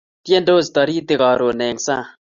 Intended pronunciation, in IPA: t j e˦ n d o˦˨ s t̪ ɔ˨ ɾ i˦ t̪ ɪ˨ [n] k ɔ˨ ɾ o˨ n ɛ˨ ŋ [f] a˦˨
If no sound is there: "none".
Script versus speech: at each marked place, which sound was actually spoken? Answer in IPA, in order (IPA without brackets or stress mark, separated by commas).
none, s